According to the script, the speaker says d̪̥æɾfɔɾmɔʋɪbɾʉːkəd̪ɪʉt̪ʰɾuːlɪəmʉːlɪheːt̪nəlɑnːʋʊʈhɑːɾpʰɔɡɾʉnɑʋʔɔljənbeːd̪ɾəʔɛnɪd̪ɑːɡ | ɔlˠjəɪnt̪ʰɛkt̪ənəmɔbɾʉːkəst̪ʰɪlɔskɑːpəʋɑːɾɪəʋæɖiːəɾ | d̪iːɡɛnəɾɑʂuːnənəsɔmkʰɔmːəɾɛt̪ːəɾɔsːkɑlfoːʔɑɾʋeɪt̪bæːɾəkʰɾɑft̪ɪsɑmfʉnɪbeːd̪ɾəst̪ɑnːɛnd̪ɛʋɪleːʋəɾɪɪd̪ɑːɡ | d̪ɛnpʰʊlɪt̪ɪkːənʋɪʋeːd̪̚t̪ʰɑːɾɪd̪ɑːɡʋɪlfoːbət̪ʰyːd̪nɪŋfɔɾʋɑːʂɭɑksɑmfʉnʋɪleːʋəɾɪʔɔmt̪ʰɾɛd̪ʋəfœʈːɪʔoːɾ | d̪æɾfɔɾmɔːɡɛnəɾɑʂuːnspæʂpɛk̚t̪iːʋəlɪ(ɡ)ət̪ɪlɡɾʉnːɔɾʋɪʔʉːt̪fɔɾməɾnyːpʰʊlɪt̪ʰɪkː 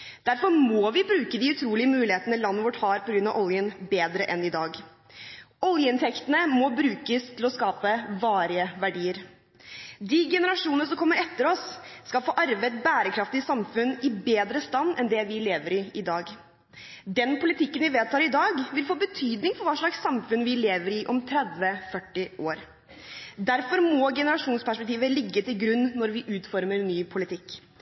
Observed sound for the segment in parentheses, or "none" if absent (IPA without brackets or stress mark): ɡː